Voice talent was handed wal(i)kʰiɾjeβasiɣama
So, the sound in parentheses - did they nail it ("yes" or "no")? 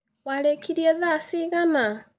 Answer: no